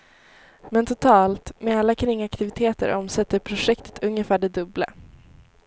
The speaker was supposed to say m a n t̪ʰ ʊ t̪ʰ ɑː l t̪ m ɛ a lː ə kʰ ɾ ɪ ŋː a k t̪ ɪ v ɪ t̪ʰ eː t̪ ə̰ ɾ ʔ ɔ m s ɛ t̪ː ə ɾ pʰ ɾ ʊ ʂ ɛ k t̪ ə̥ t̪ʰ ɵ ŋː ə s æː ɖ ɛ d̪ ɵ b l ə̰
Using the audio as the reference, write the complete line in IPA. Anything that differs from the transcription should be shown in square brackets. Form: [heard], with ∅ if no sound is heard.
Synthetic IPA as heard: m [ɛ] n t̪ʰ ʊ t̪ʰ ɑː l t̪ m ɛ a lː [a] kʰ ɾ ɪ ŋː a k t̪ ɪ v ɪ t̪ʰ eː t̪ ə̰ ɾ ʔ ɔ m s ɛ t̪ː ə ɾ pʰ ɾ ʊ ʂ ɛ k t̪ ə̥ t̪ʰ ɵ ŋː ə [f] æː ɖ ɛ d̪ ɵ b l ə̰